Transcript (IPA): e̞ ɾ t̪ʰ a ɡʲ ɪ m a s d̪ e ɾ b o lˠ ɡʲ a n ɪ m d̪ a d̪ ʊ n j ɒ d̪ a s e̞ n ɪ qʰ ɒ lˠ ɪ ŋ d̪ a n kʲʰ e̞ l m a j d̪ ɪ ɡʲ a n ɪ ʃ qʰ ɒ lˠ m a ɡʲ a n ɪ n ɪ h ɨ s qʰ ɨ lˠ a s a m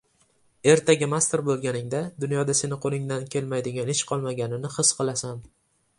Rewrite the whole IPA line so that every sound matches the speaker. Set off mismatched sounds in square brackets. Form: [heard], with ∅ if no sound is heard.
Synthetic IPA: e̞ ɾ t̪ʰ a ɡʲ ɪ m a s [t̪] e ɾ b o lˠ ɡʲ a n ɪ [ŋ] d̪ a d̪ ʊ n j ɒ d̪ a s e̞ n ɪ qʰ [o] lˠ ɪ ŋ d̪ a n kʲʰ e̞ l m a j d̪ ɪ ɡʲ a n ɪ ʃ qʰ ɒ lˠ m a ɡʲ a n ɪ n ɪ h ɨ s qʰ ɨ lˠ a s a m